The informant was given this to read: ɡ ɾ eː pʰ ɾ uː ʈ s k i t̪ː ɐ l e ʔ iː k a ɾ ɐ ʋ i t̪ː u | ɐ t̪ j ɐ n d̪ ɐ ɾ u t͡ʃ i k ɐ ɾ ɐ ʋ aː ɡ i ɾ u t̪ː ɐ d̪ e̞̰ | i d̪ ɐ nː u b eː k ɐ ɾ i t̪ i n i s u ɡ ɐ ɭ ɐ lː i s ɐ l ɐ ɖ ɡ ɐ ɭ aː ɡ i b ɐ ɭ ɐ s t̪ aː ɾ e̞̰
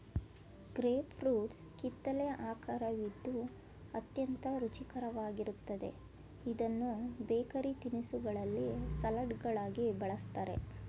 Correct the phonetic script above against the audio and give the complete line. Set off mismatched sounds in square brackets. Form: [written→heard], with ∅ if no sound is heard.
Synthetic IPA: ɡ ɾ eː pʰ ɾ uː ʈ s k i t̪ː ɐ l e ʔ [iː→aː] k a ɾ ɐ ʋ i [t̪ː→d̪ː] u | ɐ t̪ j ɐ n [d̪→t̪] ɐ ɾ u t͡ʃ i k ɐ ɾ ɐ ʋ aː ɡ i ɾ u t̪ː ɐ d̪ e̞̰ | i d̪ ɐ nː u b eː k ɐ ɾ i t̪ i n i s u ɡ ɐ ɭ ɐ lː i s ɐ l ɐ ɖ ɡ ɐ ɭ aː ɡ i b ɐ ɭ ɐ s t̪ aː ɾ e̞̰